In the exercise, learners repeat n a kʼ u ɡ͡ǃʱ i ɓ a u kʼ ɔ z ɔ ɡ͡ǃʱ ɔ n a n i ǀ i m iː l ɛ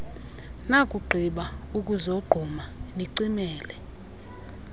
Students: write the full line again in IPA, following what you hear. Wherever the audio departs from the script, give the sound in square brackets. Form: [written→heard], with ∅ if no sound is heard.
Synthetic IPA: n a kʼ u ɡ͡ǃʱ i ɓ a u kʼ [ɔ→u] z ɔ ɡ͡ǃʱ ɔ [n→m] a n i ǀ i m [iː→ɛː] l ɛ